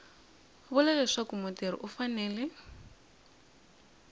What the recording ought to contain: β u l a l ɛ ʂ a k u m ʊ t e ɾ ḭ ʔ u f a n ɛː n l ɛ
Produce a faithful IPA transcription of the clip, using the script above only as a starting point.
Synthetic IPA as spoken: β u l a l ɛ ʂ a k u m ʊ t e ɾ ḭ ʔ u f a n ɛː l ɛ